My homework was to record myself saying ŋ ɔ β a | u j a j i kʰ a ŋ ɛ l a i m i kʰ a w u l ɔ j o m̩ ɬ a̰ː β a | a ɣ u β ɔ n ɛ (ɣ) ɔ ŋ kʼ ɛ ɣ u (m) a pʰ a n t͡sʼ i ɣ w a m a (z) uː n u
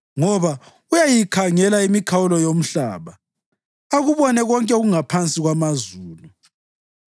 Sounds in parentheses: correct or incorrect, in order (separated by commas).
correct, incorrect, correct